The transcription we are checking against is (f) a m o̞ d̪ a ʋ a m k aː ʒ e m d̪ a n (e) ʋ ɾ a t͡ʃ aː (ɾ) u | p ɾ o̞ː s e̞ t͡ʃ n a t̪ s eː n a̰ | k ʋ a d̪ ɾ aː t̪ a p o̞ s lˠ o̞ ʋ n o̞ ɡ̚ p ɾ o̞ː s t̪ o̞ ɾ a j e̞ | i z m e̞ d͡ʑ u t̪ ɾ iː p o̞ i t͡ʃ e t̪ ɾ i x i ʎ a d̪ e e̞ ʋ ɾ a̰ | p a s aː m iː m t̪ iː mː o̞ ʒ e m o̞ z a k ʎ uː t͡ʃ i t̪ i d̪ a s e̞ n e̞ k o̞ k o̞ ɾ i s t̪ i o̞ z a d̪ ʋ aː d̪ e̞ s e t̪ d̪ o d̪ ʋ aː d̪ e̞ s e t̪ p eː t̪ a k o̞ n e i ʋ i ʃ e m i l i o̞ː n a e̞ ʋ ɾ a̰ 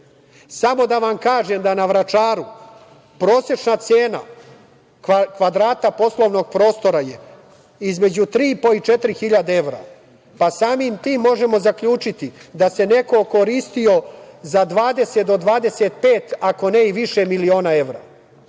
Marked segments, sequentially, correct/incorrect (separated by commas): incorrect, incorrect, correct